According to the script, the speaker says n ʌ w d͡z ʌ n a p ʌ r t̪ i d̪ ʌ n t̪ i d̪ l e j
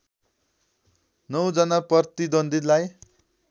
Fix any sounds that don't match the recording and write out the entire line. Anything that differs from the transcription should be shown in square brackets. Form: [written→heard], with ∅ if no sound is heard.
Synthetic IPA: n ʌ w d͡z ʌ n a p ʌ r t̪ i d̪ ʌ n [t̪→d̪] i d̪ l [e→a] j